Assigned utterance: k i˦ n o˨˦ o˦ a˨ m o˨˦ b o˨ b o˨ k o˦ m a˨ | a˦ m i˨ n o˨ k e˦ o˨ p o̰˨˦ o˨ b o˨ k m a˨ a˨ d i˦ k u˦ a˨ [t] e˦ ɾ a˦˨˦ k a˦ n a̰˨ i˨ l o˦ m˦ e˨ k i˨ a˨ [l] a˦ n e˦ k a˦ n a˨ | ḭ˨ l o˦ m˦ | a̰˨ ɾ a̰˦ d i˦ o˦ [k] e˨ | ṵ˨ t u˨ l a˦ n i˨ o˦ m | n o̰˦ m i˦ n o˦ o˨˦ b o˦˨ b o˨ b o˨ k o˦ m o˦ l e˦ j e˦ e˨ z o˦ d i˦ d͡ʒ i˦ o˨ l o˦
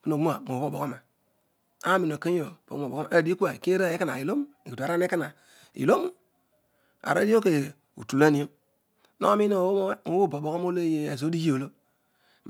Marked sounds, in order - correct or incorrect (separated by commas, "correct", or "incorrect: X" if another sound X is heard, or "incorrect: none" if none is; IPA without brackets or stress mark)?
incorrect: k, incorrect: ɾ, correct